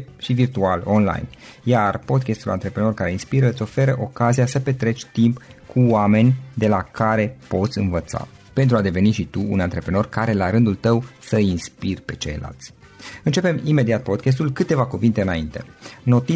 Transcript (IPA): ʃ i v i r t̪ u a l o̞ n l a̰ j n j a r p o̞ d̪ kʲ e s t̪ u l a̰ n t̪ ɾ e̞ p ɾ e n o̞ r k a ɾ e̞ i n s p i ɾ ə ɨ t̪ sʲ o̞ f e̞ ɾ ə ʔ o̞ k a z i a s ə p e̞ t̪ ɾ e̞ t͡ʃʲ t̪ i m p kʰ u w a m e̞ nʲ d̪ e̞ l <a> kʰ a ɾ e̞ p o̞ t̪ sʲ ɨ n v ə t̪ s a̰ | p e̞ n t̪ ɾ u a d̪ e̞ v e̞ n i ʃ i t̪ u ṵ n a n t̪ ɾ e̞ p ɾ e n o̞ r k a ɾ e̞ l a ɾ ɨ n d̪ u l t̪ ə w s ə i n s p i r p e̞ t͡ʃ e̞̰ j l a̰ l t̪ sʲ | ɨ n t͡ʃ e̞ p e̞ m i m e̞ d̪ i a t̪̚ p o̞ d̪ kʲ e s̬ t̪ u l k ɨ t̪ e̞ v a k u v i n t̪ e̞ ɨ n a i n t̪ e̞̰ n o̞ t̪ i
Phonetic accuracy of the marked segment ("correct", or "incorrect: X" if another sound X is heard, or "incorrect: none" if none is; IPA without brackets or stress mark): correct